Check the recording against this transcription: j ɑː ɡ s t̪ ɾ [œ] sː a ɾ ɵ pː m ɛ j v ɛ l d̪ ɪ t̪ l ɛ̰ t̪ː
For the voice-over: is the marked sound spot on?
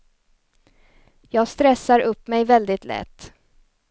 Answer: no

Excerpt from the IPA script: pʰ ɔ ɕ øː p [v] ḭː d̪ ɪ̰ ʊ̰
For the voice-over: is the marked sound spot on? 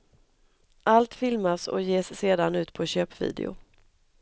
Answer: yes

